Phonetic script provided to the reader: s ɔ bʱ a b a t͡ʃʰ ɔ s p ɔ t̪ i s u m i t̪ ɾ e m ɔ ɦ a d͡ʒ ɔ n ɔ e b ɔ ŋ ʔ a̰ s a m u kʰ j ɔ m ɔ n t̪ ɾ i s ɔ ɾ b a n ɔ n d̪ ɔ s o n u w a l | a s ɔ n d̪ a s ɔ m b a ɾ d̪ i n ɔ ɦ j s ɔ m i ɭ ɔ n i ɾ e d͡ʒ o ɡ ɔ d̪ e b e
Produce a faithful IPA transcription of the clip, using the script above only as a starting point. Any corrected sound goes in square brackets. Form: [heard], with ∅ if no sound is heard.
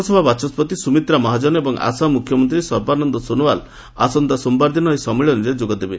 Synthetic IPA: s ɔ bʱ a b a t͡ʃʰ ɔ s p ɔ t̪ i s u m i t̪ ɾ [a] m ɔ ɦ a d͡ʒ ɔ n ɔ e b ɔ ŋ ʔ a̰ s a m u kʰ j ɔ m ɔ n t̪ ɾ i s ɔ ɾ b a n ɔ n d̪ ɔ s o n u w a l | a s ɔ n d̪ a s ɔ m b a ɾ d̪ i n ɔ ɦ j s ɔ m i ɭ ɔ n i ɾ e d͡ʒ o ɡ ɔ d̪ e b e

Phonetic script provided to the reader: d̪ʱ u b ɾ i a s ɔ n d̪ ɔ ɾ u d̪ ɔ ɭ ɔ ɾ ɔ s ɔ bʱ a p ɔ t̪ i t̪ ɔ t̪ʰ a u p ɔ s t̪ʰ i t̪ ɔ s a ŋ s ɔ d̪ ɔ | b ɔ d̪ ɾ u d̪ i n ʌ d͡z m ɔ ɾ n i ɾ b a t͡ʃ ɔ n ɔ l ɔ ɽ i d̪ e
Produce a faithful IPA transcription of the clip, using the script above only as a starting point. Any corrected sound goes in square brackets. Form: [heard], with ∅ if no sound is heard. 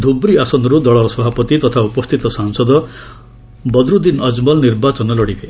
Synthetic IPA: d̪ʱ u b ɾ i a s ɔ n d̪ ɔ ɾ u d̪ ɔ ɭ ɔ ɾ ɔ s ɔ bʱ a p ɔ t̪ i t̪ ɔ t̪ʰ a u p ɔ s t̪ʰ i t̪ ɔ s a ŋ s ɔ d̪ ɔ | b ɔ d̪ ɾ u d̪ i n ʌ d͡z m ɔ [l] n i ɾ b a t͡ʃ ɔ n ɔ l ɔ ɽ i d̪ e

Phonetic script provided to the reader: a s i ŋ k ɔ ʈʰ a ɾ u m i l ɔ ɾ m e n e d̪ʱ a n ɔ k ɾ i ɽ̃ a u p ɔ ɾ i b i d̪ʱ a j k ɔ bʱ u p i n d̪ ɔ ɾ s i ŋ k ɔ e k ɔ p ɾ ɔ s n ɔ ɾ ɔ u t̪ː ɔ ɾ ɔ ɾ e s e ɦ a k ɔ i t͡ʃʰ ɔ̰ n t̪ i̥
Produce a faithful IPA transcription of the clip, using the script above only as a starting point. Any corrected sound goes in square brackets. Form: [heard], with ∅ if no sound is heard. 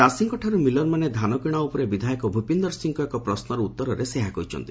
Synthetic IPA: a s i ŋ k ɔ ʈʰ a ɾ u m i l ɔ ɾ m [a] n e d̪ʱ a n ɔ k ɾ i ɽ̃ a u p ɔ ɾ [e] b i d̪ʱ a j k ɔ bʱ u p i n d̪ ɔ ɾ s i ŋ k ɔ e k ɔ p ɾ ɔ s n ɔ ɾ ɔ u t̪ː ɔ ɾ ɔ ɾ e s e ɦ a k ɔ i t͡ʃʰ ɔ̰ n t̪ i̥

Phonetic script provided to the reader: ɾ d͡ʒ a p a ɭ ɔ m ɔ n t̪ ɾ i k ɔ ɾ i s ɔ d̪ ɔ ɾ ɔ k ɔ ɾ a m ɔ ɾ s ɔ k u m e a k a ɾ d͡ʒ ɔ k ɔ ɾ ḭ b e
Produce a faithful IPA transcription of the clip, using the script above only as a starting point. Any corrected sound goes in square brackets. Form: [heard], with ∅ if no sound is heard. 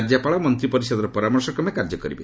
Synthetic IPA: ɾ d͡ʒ a p a ɭ ɔ m ɔ n t̪ ɾ i [p] ɔ ɾ i s ɔ d̪ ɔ ɾ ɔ [p] ɔ ɾ a m ɔ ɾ s ɔ k [ɔ] m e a k a ɾ d͡ʒ ɔ k ɔ ɾ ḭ b e

